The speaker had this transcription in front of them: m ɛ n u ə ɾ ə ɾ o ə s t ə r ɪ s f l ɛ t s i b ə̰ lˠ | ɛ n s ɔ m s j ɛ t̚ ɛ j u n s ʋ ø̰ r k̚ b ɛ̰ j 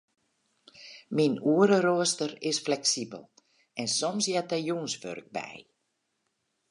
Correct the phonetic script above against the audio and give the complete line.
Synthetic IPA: m i n u ə ɾ ə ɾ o ə s t ə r ɪ s f l ɛ k s i b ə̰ lˠ | ɛ n s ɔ m s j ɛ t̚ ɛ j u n s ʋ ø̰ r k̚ b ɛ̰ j

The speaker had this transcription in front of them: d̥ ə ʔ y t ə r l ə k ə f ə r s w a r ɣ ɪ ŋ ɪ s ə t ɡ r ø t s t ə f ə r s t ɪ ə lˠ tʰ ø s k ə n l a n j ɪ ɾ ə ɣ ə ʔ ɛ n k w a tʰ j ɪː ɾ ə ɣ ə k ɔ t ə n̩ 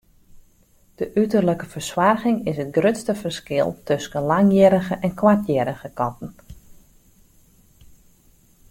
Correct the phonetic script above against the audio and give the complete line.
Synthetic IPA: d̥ ə ʔ y t ə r l ə k ə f ə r s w a r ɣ ɪ ŋ ɪ s ə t ɡ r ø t s t ə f ə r s k ɪ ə lˠ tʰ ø s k ə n l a ŋ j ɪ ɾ ə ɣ ə ʔ ɛ n k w a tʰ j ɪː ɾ ə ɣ ə k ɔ t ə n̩

